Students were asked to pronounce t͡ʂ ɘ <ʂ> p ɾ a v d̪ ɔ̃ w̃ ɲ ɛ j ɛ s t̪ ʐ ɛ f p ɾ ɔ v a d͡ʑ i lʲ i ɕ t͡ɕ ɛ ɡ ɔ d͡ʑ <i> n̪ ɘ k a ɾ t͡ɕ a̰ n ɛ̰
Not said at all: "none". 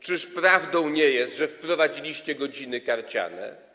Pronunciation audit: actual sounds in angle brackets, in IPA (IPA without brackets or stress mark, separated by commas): ʂ, i